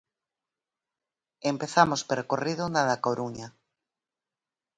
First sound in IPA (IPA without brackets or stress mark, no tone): e